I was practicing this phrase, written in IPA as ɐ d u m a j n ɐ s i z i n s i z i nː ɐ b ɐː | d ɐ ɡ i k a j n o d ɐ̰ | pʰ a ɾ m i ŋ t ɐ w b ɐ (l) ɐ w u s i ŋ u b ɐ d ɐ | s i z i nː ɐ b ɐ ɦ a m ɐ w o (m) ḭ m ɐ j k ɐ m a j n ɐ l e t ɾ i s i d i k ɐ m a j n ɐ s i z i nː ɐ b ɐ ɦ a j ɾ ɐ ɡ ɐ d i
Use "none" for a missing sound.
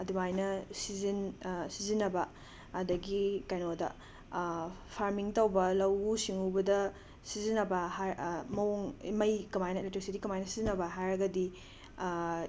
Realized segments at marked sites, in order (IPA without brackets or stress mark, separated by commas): l, ŋ